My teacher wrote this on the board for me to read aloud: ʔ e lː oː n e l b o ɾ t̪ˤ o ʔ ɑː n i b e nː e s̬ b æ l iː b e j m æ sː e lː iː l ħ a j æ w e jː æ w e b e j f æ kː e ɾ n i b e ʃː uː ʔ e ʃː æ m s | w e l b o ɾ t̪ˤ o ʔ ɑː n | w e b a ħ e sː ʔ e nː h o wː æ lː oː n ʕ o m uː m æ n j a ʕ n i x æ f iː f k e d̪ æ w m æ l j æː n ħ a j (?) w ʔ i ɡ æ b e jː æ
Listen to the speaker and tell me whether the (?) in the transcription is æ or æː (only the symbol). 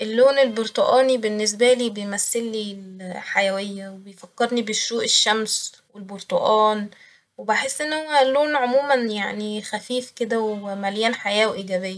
æː